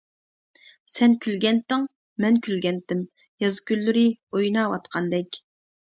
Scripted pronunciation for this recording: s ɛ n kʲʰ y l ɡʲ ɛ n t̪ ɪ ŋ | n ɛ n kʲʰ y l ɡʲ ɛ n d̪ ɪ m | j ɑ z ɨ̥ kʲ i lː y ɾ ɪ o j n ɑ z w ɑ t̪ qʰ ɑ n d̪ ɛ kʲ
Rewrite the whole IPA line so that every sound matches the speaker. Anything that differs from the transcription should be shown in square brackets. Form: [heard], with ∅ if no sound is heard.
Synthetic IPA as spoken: s ɛ n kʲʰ y l ɡʲ ɛ n t̪ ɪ ŋ | [m] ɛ n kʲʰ y l ɡʲ ɛ n [t̪] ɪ m | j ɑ z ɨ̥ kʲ [y] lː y ɾ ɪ o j n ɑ [∅] w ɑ t̪ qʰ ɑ n d̪ ɛ kʲ

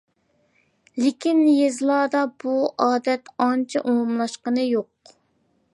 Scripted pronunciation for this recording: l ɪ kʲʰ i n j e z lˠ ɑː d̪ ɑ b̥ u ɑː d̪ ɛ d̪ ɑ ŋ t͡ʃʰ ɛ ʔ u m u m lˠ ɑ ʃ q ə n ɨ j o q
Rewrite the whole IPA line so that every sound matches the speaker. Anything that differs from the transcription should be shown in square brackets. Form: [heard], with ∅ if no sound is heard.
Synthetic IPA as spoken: l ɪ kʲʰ i n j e z lˠ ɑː d̪ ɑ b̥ u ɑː d̪ ɛ [t̪] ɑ [n] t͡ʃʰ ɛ ʔ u m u m lˠ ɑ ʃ q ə n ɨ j o q

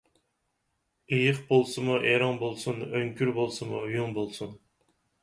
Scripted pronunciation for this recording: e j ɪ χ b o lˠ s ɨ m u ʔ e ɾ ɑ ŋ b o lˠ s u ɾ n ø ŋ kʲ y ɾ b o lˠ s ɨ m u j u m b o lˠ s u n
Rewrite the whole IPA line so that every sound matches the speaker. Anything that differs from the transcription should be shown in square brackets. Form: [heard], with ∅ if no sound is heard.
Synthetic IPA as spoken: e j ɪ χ b o lˠ s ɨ m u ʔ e ɾ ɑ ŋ b o lˠ s u [∅] n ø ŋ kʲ y ɾ b o lˠ s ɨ m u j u [ŋ] b o lˠ s u n

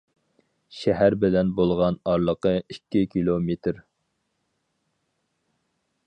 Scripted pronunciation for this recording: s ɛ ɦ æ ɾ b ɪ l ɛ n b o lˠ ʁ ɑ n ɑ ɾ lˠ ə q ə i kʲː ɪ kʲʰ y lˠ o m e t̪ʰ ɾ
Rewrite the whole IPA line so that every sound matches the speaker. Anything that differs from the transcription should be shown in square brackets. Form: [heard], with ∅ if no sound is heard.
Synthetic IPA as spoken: [ʃ] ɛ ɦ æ ɾ b ɪ l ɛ n b o lˠ ʁ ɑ n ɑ ɾ lˠ ə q ə i kʲː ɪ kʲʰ [i] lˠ o m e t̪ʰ ɾ

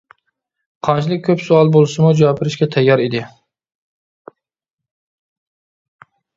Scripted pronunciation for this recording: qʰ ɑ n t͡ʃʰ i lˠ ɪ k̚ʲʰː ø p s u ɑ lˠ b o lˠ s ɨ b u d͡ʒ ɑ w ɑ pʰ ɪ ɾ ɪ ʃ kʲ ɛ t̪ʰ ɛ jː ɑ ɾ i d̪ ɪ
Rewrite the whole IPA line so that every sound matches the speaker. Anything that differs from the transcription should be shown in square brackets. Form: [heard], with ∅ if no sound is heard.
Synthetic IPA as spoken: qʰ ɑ n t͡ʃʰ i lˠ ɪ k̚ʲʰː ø p s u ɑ lˠ b o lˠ s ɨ [m] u d͡ʒ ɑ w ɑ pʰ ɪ ɾ ɪ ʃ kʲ ɛ t̪ʰ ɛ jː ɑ ɾ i d̪ ɪ

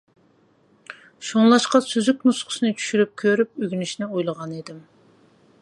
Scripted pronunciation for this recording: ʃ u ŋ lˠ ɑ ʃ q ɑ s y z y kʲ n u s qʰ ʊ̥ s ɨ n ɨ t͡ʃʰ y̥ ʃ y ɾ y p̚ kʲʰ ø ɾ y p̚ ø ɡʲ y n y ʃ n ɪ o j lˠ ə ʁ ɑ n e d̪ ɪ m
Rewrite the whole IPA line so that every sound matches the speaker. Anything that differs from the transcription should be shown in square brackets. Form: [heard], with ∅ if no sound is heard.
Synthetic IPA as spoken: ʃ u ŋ lˠ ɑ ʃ q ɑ s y z y kʲ n u s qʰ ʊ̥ s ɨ n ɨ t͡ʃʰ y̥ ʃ y ɾ y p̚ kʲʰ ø ɾ y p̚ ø ɡʲ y n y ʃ n ɪ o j lˠ ə ʁ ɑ n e d̪ ɪ m

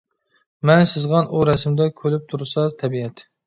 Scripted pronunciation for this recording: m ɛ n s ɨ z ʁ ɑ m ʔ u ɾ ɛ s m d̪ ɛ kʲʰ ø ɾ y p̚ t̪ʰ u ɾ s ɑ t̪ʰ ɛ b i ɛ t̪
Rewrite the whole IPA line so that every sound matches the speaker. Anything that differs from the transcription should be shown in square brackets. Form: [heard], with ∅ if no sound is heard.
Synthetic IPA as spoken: m ɛ n s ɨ z ʁ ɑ [n] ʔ u ɾ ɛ s m d̪ ɛ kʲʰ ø [l] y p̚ t̪ʰ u ɾ s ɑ t̪ʰ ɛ b i ɛ t̪

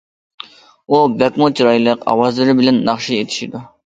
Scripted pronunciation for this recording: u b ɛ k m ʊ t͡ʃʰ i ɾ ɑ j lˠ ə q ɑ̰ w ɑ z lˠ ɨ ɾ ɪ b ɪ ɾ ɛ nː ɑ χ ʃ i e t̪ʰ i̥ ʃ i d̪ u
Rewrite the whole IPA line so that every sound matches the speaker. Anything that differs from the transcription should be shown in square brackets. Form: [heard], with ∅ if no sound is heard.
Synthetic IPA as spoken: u b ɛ k m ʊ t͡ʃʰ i ɾ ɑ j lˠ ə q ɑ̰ w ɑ z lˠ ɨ ɾ ɪ b ɪ [l] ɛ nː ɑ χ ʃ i e t̪ʰ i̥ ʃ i d̪ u

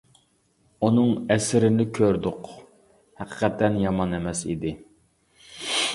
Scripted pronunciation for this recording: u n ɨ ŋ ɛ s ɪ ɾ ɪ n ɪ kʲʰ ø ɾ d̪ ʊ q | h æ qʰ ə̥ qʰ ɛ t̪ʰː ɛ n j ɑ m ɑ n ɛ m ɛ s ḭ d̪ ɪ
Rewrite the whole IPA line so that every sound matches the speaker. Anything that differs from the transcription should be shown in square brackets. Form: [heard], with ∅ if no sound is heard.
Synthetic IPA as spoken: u n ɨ ŋ ɛ s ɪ ɾ ɪ n ɪ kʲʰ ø ɾ d̪ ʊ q | h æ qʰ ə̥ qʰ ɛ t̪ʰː ɛ n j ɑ m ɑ n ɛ m ɛ s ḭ d̪ ɪ

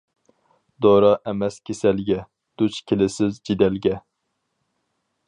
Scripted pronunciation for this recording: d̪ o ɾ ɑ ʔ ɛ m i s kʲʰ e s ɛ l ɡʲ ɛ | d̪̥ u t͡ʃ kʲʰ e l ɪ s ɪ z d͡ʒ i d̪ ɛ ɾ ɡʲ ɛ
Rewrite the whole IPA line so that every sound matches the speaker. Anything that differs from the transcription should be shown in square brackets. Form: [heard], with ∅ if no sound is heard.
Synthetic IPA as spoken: d̪ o ɾ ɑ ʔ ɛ m [ɛ] s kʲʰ e s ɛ l ɡʲ ɛ | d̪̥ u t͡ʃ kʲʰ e l ɪ s ɪ z d͡ʒ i d̪ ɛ [l] ɡʲ ɛ

